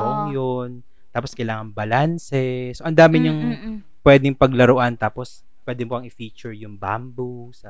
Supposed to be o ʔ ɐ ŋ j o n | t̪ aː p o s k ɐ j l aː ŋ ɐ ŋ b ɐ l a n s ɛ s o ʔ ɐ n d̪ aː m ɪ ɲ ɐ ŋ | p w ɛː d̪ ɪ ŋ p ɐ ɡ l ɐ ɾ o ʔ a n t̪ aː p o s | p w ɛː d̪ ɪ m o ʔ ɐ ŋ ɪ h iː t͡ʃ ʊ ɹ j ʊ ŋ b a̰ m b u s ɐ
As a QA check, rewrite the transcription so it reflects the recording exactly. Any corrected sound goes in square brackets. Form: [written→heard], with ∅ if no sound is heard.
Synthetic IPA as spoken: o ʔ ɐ ŋ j o n | t̪ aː p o s k ɐ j l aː ŋ ɐ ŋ b ɐ l a n s ɛ s o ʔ ɐ n d̪ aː m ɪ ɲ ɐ ŋ | p w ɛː d̪ ɪ ŋ p ɐ ɡ l ɐ ɾ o ʔ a n t̪ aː p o s | p w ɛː d̪ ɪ m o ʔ ɐ ŋ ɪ [h→f] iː t͡ʃ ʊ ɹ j ʊ ŋ b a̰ m b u s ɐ